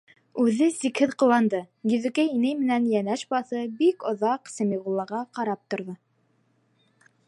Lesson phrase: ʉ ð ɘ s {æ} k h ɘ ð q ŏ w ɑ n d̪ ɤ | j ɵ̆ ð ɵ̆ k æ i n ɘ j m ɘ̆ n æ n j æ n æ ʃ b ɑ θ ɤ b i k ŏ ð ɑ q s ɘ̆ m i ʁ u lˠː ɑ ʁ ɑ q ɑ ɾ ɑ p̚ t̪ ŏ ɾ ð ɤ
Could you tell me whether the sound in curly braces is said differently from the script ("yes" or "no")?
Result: yes